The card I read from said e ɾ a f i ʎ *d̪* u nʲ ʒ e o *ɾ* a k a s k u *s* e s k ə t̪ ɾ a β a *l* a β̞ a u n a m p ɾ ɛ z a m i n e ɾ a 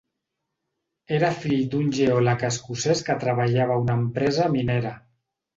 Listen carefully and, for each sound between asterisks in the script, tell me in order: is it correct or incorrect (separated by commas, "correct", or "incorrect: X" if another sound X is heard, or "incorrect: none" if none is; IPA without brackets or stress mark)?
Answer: correct, incorrect: l, correct, incorrect: ʎ